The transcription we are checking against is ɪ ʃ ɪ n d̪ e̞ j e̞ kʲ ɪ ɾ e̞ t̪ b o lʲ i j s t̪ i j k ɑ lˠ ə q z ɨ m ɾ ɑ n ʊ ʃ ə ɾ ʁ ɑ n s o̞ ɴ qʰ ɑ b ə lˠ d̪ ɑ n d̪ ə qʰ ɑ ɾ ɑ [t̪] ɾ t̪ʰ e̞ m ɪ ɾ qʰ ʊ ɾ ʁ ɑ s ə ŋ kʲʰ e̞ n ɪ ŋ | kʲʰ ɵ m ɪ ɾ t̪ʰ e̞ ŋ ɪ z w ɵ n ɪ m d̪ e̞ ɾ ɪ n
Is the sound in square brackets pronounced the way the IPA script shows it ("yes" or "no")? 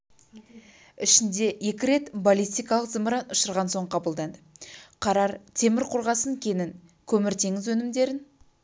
no